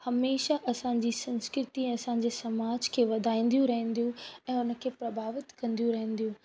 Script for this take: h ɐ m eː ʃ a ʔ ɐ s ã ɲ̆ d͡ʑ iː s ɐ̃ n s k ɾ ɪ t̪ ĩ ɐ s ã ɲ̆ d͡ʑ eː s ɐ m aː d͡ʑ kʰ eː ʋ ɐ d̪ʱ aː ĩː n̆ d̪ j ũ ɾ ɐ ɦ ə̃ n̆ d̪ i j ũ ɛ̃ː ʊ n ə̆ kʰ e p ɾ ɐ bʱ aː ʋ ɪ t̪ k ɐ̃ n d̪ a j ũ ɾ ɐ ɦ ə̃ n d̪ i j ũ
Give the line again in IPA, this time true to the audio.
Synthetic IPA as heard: h ɐ m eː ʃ a ʔ ɐ s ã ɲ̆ d͡ʑ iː s ɐ̃ n s k ɾ ɪ t̪ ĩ ɐ s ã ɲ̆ d͡ʑ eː s ɐ m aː d͡ʑ kʰ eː ʋ ɐ d̪ʱ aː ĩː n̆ d̪ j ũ ɾ ɐ ɦ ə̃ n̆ d̪ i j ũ ɛ̃ː ʊ n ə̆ kʰ e p ɾ ɐ bʱ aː ʋ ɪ t̪ k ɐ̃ n d̪ i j ũ ɾ ɐ ɦ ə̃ n d̪ i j ũ